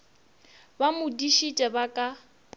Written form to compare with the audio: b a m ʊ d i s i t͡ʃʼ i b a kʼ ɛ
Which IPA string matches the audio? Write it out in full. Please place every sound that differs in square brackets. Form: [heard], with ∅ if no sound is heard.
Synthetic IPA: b a m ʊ d i [ʃ] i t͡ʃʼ [ɛ] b a kʼ [a]